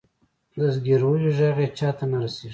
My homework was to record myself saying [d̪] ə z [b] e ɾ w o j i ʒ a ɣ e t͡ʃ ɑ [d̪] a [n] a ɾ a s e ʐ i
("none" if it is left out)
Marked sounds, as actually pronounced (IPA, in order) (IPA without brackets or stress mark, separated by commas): d̪, ɡ, t̪, n